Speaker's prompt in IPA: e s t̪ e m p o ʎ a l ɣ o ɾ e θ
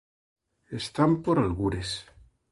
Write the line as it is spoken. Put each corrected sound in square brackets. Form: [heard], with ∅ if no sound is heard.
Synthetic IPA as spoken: e s t̪ [a] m p o [ɾ] a l ɣ [u] ɾ e [s]